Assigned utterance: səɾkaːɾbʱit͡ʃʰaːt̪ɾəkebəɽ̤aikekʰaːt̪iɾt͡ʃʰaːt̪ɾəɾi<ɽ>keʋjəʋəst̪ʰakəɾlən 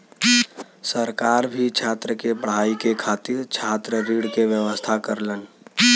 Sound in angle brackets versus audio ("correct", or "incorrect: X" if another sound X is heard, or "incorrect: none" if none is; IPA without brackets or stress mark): correct